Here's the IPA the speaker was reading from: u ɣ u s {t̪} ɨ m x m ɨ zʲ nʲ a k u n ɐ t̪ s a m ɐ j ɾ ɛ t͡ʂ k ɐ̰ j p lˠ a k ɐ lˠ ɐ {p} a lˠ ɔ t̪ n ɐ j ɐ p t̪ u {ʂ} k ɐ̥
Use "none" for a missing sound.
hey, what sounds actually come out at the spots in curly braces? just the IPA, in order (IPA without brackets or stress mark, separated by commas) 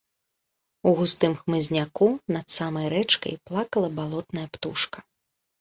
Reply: t̪, b, ʂ